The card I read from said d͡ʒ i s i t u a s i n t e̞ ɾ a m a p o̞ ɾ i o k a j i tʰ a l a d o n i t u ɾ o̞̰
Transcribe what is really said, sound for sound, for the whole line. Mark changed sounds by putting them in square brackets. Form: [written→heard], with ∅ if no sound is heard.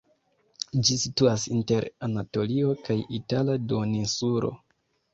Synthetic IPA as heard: d͡ʒ i s i t u a s i n t e̞ ɾ a [m→n] a [p→t] o̞ [ɾ→l] i o k a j i [tʰ→t] a l a d o n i [t→s] u ɾ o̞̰